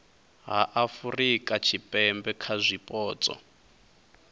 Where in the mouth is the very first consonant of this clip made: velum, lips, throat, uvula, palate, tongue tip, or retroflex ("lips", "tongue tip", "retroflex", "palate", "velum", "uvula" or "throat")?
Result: throat